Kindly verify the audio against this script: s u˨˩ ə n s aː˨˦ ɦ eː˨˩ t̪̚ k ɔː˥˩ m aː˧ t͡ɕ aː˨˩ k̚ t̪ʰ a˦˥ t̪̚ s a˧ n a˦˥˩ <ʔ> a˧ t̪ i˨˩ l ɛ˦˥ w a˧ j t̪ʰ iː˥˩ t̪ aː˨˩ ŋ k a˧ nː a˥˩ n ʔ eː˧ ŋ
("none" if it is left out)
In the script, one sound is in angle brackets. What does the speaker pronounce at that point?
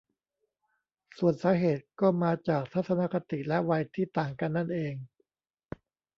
k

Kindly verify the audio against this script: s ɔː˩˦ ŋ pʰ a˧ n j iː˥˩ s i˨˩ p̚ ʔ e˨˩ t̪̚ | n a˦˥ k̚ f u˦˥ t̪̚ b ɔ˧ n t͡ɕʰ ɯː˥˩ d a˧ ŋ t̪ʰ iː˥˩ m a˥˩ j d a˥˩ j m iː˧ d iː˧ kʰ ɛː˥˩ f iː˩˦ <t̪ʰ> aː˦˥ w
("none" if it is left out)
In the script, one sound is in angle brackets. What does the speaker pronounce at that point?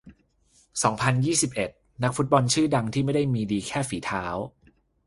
t̪ʰ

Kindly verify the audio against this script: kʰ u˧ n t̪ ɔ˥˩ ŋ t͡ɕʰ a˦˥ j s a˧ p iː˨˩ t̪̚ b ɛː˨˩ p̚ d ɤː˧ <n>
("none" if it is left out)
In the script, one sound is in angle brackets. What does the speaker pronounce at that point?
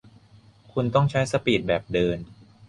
n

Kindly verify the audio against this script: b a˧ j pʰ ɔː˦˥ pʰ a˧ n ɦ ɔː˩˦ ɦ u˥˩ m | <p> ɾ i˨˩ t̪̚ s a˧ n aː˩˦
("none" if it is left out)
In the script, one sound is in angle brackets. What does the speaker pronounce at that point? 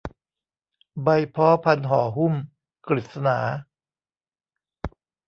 k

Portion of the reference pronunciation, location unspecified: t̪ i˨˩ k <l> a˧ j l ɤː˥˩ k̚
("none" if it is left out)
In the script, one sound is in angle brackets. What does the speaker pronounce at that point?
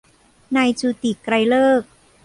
ɾ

